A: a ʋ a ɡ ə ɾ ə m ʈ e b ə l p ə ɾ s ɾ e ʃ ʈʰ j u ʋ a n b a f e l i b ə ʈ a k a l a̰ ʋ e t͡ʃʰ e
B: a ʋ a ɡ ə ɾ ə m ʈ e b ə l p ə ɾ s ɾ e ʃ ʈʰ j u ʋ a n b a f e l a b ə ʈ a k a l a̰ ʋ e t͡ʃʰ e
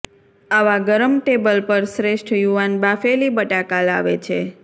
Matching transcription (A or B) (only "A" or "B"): A